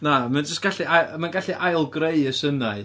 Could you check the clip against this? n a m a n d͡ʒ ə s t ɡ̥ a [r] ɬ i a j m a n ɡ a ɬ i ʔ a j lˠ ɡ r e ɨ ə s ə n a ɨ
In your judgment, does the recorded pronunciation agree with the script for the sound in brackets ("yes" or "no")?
no